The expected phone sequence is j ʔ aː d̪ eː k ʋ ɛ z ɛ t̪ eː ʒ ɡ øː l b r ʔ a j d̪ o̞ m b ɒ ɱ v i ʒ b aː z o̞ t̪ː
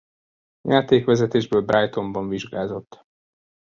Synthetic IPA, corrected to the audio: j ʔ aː t̪ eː k ʋ ɛ z ɛ t̪ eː ʒ b øː l b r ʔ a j t̪ o̞ m b ɒ ɱ v i ʒ ɡ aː z o̞ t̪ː